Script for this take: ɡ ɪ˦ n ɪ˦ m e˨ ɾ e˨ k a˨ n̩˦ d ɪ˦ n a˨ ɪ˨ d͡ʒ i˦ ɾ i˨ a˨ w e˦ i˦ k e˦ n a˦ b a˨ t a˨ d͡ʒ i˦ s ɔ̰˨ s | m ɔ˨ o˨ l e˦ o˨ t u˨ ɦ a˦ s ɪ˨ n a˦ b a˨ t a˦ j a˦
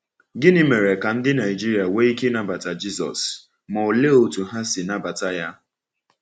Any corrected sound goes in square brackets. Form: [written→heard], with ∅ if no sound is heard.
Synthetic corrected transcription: ɡ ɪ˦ n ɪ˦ m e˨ ɾ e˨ k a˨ n̩˦ d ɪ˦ n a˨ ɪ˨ d͡ʒ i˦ ɾ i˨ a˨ w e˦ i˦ k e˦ n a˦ b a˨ t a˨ d͡ʒ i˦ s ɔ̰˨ s | m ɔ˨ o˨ l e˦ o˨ t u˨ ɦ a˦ s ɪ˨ n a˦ b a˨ t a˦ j a˦